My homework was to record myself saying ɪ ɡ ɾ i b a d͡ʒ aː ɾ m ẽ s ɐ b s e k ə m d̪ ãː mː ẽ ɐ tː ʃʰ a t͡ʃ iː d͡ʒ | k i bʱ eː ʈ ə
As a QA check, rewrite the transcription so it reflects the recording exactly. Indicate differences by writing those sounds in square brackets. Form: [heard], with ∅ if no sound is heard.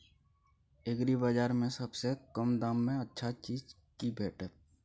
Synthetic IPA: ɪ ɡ ɾ i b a d͡ʒ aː ɾ m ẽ s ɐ b s e k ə m d̪ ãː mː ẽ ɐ tː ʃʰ a t͡ʃ iː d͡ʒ | k i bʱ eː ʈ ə